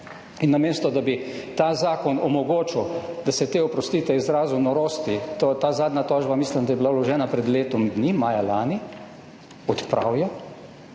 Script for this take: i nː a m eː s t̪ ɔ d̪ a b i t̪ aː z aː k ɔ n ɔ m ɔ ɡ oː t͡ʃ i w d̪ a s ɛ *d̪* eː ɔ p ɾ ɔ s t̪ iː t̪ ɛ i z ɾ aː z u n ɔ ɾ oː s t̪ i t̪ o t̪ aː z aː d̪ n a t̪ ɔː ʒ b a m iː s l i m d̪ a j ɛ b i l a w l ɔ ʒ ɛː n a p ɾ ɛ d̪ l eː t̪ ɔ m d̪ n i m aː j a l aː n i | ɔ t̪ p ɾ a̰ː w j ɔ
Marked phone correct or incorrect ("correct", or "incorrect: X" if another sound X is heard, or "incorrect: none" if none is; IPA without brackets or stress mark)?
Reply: incorrect: t̪